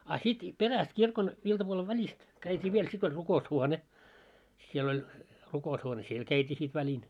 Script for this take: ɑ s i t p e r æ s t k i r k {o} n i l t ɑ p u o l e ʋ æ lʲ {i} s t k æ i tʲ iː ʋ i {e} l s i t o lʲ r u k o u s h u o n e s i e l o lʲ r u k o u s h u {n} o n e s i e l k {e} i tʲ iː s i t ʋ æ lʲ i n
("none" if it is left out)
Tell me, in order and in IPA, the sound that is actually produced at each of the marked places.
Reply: o, i, e, none, æ

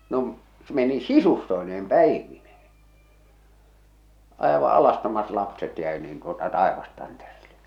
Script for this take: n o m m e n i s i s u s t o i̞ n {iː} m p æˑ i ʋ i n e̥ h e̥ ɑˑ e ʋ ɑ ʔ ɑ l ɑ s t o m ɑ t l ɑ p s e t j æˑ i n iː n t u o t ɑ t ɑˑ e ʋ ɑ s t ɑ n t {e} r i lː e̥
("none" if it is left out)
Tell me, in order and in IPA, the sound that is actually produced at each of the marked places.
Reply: eː, e

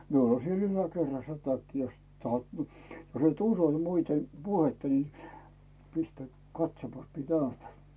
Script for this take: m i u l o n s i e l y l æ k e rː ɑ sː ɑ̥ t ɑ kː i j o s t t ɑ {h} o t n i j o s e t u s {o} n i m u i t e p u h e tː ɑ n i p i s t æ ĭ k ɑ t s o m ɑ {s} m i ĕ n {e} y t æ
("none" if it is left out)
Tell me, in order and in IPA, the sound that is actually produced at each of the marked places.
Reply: h, o, s, æ

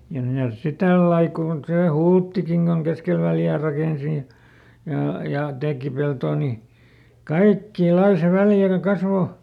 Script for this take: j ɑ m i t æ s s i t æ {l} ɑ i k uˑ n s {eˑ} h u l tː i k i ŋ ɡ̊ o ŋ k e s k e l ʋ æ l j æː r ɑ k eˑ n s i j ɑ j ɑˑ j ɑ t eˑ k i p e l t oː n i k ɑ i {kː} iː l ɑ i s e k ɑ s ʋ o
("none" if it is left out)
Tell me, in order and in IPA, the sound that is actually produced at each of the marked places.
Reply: lː, eˑ, kː

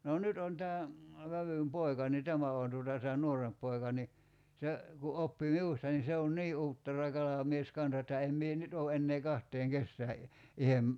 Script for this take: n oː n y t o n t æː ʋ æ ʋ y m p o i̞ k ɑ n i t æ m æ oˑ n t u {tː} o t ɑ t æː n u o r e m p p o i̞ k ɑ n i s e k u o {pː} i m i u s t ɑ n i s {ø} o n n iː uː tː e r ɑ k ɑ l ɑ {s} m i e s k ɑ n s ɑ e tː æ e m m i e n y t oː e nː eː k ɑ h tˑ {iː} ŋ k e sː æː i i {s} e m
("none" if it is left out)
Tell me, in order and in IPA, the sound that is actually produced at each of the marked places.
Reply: none, pː, e, none, eː, h

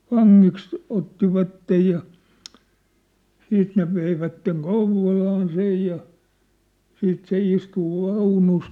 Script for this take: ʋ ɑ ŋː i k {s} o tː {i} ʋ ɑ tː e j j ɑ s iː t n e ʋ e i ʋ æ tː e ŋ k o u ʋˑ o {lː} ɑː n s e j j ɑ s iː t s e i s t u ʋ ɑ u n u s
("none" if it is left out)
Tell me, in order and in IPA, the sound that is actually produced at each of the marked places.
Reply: s, i, l

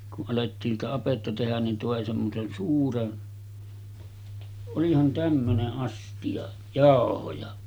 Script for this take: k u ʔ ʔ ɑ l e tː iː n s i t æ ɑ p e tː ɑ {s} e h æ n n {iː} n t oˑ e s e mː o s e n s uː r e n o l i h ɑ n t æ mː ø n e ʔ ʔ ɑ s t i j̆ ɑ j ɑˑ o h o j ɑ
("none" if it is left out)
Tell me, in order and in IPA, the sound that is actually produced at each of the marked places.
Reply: t, i

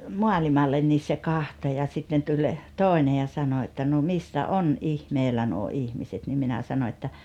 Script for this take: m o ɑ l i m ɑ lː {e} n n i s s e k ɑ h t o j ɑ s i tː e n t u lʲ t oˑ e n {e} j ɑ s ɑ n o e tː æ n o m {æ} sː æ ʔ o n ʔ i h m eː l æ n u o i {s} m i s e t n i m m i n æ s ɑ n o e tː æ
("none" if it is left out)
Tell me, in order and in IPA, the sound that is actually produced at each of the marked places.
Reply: e, e, i, h

